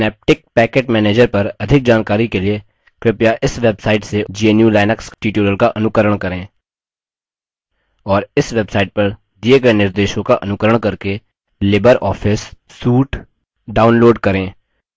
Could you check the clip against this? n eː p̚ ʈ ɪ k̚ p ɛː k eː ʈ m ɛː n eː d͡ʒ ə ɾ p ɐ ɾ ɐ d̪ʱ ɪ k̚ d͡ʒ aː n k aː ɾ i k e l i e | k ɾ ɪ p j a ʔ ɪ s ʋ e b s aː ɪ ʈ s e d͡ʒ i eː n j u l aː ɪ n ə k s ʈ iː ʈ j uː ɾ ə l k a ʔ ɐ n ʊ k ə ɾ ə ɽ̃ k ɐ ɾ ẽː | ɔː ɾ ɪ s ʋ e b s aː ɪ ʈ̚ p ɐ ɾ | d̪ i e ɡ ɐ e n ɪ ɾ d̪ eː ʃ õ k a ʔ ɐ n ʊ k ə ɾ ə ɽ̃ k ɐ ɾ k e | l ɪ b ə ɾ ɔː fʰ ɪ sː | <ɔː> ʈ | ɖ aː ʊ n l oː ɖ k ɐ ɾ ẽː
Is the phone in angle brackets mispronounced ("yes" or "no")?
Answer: yes